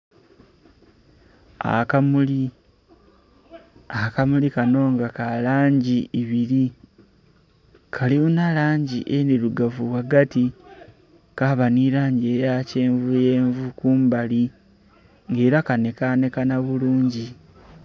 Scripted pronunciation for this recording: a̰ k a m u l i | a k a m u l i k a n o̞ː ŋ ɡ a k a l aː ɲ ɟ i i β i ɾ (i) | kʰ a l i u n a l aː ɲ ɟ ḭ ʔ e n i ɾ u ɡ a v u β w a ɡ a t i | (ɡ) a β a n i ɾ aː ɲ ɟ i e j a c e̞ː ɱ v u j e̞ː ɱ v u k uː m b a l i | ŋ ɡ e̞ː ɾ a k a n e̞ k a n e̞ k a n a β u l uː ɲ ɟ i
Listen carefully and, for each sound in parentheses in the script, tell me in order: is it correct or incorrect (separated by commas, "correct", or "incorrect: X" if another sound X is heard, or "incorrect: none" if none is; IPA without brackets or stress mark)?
correct, incorrect: k